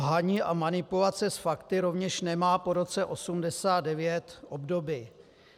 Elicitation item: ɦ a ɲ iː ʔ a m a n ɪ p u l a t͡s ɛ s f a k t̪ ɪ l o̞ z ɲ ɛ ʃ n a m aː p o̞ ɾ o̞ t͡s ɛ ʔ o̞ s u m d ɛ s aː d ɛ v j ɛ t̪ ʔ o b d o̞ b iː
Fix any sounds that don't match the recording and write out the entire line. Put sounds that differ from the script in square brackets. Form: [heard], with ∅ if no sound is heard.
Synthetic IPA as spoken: ɦ a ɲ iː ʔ a m a n ɪ p u l a t͡s ɛ s f a k t̪ ɪ [ɾ] o̞ [v] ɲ ɛ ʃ n [ɛ] m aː p o̞ ɾ o̞ t͡s ɛ ʔ o̞ s u m d ɛ s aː d ɛ v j ɛ t̪ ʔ o b d o̞ b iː